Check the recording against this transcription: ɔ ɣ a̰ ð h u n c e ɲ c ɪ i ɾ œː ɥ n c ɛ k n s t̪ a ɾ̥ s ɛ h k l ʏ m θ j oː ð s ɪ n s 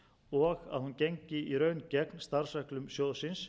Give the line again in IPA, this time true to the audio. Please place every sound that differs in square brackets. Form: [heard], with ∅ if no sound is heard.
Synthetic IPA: ɔ ɣ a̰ ð h u n c e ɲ c ɪ i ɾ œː ɥ n c ɛ k n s t̪ a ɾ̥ s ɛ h k l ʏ m [s] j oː ð s ɪ n s